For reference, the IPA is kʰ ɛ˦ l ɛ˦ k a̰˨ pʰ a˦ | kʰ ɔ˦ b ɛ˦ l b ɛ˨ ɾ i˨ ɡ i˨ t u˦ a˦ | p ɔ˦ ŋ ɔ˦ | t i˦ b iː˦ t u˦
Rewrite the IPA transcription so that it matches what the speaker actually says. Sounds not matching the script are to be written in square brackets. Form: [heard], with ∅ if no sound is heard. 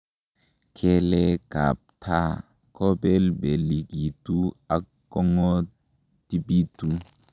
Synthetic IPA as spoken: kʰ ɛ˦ l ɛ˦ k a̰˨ pʰ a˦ | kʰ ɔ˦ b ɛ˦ l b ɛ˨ [l] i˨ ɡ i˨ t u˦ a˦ | [k] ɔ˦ ŋ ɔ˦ | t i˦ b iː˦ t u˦